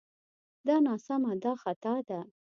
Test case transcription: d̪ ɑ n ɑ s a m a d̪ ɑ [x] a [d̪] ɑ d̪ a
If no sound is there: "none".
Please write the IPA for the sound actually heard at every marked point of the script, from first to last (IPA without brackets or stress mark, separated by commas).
x, t̪